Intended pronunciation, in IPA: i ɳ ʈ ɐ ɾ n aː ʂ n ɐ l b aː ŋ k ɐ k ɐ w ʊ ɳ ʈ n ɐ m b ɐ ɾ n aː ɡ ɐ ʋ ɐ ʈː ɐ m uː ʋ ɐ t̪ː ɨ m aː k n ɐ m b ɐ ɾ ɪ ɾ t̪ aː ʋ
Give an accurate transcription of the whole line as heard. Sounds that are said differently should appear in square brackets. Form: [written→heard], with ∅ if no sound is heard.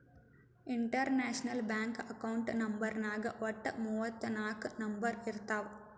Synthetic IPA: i ɳ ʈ ɐ ɾ n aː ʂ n ɐ l b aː ŋ k ɐ k ɐ w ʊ ɳ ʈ n ɐ m b ɐ ɾ n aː ɡ ɐ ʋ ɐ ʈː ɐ m uː ʋ ɐ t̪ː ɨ [m→n] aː k n ɐ m b ɐ ɾ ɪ ɾ t̪ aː ʋ